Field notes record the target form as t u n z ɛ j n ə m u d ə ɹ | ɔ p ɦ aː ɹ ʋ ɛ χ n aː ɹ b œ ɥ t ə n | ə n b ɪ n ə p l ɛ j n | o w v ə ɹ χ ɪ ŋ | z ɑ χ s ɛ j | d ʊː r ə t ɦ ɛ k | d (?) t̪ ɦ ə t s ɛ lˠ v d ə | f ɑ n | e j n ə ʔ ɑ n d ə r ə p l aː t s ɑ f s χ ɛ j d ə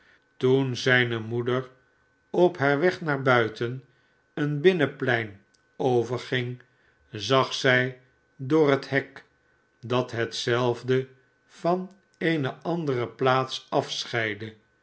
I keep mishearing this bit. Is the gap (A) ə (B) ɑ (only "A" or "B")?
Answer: B